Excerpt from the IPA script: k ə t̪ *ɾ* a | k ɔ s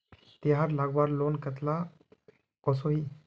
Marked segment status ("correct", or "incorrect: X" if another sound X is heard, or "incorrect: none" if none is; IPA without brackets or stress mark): incorrect: l